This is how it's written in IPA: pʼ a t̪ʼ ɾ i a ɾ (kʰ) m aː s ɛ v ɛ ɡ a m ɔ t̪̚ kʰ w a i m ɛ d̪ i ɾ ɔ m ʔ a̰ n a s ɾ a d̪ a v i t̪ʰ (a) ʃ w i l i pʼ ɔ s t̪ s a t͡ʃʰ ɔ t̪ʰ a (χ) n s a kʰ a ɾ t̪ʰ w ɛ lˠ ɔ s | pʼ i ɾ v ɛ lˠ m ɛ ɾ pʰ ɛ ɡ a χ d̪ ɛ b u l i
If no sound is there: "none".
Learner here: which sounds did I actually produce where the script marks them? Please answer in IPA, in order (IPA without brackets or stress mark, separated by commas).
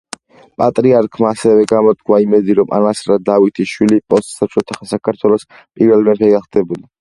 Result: kʰ, i, χ